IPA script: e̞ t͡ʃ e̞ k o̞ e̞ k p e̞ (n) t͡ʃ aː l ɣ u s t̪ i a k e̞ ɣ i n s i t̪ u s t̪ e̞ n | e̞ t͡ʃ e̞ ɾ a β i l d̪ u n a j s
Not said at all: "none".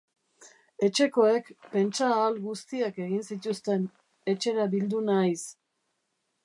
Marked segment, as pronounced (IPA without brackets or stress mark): n